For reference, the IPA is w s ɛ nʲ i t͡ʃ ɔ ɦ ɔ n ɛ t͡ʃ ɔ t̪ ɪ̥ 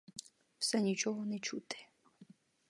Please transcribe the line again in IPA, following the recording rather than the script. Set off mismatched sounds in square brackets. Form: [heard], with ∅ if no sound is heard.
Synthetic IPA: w s ɛ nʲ i t͡ʃ ɔ ɦ ɔ n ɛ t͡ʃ [u] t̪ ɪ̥

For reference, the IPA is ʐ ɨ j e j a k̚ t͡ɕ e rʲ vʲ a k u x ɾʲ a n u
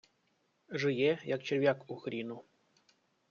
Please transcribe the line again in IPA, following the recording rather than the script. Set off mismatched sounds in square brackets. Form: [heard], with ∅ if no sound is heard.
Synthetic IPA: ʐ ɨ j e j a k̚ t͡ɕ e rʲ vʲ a k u x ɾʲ [i] n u

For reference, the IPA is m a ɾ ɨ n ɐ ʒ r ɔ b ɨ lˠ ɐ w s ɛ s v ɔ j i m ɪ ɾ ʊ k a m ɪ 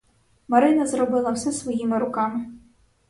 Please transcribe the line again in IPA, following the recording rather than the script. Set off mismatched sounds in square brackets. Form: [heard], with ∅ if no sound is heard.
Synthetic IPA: m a ɾ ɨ n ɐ [z] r ɔ b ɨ lˠ ɐ w s ɛ s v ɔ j i m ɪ ɾ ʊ k a m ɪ

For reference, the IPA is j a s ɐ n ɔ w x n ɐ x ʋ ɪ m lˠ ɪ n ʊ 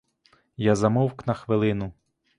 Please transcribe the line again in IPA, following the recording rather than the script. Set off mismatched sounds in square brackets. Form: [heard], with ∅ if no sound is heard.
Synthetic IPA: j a [z] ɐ [m] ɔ w [k] n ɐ x ʋ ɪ [∅] lˠ ɪ n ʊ

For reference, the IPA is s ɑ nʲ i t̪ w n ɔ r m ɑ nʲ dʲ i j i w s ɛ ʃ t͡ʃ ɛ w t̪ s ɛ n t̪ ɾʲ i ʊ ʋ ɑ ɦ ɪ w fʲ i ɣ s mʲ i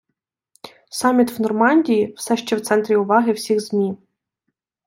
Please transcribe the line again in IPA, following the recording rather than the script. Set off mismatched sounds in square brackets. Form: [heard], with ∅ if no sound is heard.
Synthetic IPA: s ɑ [mʲ] i t̪ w n ɔ r m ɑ nʲ dʲ i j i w s ɛ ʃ t͡ʃ ɛ w t̪ s ɛ n t̪ ɾʲ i ʊ ʋ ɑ ɦ ɪ w [sʲ] i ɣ [z] mʲ i

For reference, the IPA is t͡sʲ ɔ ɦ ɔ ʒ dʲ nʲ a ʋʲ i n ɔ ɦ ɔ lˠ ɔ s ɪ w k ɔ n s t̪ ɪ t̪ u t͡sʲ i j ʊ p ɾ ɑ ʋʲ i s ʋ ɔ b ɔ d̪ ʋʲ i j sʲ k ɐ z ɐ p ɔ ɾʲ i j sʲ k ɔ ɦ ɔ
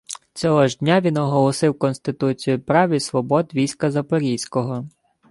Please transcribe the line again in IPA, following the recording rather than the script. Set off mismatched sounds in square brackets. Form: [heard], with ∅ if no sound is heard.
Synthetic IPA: t͡sʲ ɔ ɦ ɔ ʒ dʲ nʲ a ʋʲ i n ɔ ɦ ɔ lˠ ɔ s ɪ w k ɔ n s t̪ ɪ t̪ u t͡sʲ i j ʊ p ɾ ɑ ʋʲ i s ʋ ɔ b ɔ d̪ ʋʲ i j sʲ k ɐ z ɐ p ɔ ɾʲ i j sʲ k ɔ ɦ ɔ

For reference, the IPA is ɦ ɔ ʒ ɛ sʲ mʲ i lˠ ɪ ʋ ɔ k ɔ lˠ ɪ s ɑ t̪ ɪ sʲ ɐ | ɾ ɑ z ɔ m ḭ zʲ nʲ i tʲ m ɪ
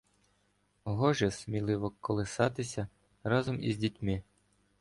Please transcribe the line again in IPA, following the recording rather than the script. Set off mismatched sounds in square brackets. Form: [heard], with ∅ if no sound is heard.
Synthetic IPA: ɦ ɔ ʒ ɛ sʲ mʲ i lˠ ɪ ʋ ɔ k ɔ lˠ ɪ s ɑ t̪ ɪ sʲ ɐ | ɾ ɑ z ɔ m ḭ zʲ [dʲ] i tʲ m ɪ

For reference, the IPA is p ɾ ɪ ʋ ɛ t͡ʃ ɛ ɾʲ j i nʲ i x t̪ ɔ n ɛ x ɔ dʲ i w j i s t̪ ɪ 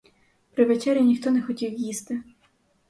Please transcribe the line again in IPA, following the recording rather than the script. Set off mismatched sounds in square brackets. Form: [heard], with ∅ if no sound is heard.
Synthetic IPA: p ɾ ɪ ʋ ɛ t͡ʃ ɛ ɾʲ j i nʲ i x t̪ ɔ n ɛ x ɔ [tʲ] i w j i s t̪ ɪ

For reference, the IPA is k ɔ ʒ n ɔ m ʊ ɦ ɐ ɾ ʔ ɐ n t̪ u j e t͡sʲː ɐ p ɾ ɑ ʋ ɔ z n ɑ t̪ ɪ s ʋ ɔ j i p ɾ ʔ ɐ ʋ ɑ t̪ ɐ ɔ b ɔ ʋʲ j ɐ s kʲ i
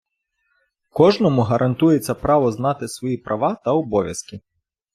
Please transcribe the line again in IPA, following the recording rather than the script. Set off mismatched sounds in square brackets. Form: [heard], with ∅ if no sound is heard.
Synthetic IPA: k ɔ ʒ n ɔ m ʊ ɦ ɐ ɾ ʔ ɐ n t̪ u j e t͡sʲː ɐ p ɾ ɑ ʋ ɔ z n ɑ t̪ ɪ s ʋ ɔ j i p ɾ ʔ ɐ ʋ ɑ t̪ ɐ ɔ b ɔ ʋʲ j ɐ s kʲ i

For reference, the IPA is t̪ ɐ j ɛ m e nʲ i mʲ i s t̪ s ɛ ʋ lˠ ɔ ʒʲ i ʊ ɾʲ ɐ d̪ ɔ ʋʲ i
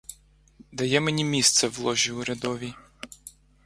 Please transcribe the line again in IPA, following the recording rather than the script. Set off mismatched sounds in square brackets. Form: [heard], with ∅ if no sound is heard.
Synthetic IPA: [d̪] ɐ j ɛ m e nʲ i mʲ i s t̪ s ɛ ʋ lˠ ɔ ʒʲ i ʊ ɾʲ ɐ d̪ ɔ ʋʲ i

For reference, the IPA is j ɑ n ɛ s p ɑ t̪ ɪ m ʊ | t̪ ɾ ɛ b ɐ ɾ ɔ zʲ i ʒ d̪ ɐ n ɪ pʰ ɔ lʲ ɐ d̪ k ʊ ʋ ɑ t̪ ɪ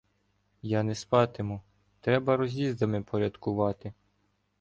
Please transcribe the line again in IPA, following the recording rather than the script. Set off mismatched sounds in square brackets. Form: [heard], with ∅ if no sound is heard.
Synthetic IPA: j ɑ n ɛ s p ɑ t̪ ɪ m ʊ | t̪ ɾ ɛ b ɐ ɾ ɔ zʲ i [z] d̪ ɐ [m] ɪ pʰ ɔ [ɾʲ] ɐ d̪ k ʊ ʋ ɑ t̪ ɪ

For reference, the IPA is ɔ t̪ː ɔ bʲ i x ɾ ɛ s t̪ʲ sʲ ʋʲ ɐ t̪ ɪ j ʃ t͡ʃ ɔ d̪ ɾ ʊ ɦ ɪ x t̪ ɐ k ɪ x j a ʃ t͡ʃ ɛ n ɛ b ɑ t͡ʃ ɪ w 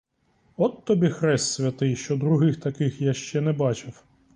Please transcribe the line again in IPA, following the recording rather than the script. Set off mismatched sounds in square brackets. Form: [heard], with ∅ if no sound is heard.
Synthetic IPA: ɔ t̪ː ɔ bʲ i x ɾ ɛ s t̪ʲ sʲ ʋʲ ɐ t̪ ɪ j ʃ t͡ʃ ɔ d̪ ɾ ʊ ɦ ɪ x t̪ ɐ k ɪ x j a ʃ t͡ʃ ɛ n ɛ b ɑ t͡ʃ ɪ w

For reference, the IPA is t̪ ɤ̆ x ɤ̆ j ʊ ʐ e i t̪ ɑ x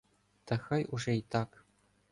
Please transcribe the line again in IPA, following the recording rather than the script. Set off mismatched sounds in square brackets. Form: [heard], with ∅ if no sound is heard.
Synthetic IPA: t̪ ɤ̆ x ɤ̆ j [u] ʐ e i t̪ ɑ [k]

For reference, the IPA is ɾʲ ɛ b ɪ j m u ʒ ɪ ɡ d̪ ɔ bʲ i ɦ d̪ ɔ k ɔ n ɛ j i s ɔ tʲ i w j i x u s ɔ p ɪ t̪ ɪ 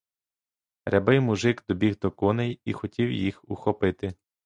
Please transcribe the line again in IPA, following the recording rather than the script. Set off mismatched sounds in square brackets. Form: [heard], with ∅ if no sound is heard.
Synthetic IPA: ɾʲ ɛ b ɪ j m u ʒ ɪ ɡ d̪ ɔ bʲ i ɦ d̪ ɔ k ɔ n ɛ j i [x] ɔ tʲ i w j i x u [x] ɔ p ɪ t̪ ɪ

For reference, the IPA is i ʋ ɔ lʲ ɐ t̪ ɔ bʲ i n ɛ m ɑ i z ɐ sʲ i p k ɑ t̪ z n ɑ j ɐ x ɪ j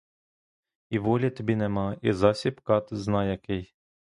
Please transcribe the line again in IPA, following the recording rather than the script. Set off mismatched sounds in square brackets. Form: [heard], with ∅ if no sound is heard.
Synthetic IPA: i ʋ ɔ lʲ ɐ t̪ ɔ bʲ i n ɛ m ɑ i z [ɑ] sʲ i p k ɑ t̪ z n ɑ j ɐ [k] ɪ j

